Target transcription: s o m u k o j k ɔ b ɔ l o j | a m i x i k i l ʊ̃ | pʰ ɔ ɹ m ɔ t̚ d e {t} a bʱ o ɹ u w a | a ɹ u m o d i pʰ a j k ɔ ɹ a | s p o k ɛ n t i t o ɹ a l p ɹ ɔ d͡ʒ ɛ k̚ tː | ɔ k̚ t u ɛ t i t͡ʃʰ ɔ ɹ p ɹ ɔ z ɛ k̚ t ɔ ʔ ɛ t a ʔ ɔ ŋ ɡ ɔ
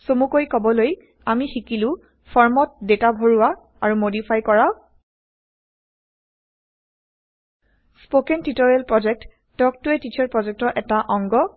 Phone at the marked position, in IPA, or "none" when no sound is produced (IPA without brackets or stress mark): t